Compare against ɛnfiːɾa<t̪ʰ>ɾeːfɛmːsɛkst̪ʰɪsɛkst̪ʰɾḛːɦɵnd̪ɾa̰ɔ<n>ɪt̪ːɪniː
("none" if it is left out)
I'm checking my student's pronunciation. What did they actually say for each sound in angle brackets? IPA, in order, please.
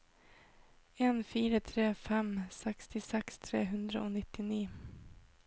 t̪ʰ, n

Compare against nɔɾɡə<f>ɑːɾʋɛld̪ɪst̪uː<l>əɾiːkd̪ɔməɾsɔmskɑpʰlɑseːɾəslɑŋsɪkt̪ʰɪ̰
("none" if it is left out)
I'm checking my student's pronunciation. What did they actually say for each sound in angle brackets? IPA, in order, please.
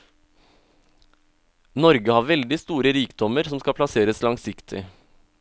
h, ɾ

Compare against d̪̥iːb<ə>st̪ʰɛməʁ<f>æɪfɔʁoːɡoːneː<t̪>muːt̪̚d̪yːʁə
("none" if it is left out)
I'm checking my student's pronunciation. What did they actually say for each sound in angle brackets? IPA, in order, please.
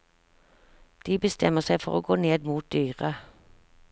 ə, s, d̪

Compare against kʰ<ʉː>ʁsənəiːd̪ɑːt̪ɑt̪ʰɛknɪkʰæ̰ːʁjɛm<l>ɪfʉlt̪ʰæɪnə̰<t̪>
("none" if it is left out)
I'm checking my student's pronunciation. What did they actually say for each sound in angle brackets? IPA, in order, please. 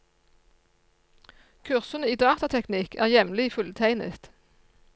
ʉ, l, t̪

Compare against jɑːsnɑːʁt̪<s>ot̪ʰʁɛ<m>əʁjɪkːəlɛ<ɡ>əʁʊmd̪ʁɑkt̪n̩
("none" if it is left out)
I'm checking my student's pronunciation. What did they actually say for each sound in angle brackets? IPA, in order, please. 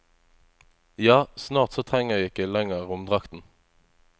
s, ŋ, ŋ

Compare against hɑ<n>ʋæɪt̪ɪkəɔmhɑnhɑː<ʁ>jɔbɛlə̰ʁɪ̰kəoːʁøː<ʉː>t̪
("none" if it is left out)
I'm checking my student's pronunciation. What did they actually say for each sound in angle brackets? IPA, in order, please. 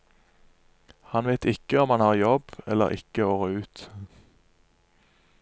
n, ʁ, ʉː

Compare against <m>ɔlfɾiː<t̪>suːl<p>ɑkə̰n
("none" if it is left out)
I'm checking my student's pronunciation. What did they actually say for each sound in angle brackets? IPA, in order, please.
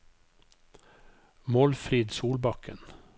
m, d̪, b

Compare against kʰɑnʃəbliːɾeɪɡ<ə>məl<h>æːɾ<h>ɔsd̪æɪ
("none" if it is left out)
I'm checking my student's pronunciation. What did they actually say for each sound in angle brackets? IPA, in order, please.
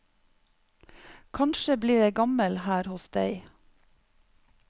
ɑ, h, h

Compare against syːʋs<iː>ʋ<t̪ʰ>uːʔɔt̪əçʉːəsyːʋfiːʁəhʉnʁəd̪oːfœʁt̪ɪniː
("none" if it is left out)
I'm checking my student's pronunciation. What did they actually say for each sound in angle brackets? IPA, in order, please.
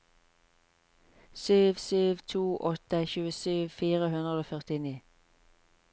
yː, t̪ʰ

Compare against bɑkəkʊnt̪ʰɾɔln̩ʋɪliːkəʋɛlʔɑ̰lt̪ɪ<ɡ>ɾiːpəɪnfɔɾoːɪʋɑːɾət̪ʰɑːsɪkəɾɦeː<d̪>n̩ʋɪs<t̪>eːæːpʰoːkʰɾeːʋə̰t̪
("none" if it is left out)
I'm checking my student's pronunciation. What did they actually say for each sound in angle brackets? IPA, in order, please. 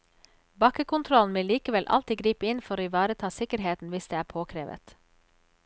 ɡ, t̪, d̪

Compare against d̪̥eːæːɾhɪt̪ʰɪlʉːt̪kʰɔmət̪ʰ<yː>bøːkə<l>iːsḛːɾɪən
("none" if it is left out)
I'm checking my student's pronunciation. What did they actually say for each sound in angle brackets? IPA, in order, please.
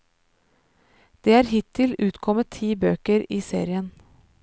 iː, ɾ

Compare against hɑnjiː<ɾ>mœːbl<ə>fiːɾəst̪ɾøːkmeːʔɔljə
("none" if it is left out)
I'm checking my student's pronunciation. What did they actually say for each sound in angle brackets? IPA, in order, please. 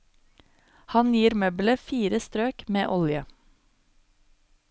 ɾ, ə

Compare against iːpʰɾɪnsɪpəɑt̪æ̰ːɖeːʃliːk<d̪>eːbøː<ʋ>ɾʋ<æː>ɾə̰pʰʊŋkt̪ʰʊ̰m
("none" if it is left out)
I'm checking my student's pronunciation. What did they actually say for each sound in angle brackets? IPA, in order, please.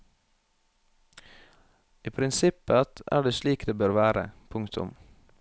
d̪, none, æː

